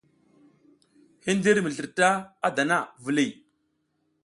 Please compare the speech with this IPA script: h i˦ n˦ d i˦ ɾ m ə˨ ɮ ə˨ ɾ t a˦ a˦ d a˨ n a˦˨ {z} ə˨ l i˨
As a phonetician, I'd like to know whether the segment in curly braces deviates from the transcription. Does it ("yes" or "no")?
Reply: yes